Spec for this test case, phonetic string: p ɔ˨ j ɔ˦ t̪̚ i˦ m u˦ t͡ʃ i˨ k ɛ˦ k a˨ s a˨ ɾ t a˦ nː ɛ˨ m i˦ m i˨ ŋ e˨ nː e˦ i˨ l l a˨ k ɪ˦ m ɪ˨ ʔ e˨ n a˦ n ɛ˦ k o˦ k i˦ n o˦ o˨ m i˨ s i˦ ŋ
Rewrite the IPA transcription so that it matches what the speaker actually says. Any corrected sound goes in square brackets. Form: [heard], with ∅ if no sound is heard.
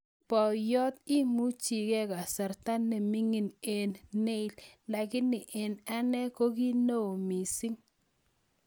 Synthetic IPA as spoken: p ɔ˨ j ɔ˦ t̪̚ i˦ m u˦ t͡ʃ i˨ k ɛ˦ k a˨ s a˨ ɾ t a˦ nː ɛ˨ m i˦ [ŋ] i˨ [n] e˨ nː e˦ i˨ l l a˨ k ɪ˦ [n] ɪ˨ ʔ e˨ n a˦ n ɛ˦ k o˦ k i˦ n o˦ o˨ m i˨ s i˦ ŋ